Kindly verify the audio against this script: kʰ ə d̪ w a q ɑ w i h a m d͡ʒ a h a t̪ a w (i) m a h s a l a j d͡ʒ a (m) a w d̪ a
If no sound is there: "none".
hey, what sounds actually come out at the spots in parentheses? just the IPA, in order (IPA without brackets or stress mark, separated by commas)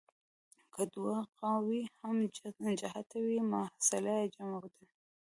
i, m